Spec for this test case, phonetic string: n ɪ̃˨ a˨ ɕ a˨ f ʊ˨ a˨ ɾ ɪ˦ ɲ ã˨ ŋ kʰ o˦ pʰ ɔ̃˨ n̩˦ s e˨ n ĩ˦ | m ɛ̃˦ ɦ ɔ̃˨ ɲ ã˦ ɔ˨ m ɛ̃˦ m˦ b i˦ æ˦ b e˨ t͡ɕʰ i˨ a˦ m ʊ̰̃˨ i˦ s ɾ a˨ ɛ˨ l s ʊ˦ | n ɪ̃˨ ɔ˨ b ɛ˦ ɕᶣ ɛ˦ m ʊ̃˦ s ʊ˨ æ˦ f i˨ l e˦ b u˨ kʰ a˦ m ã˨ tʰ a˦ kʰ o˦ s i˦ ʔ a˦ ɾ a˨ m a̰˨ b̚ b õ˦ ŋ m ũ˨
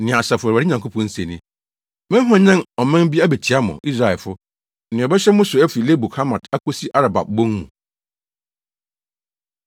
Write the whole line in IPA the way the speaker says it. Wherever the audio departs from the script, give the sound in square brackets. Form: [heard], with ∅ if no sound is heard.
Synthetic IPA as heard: n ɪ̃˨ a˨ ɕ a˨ f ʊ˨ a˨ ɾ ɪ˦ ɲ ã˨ ŋ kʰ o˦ pʰ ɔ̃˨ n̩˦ s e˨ n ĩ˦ | m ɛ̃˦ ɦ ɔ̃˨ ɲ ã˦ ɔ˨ m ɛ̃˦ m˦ b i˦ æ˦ b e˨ t͡ɕʰ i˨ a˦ m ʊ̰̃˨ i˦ s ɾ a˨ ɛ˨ l [f] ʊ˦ | n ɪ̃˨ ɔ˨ b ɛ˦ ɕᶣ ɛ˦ m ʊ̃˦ s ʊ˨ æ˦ f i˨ l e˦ b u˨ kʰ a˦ m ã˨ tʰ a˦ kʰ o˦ s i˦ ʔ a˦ ɾ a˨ [b] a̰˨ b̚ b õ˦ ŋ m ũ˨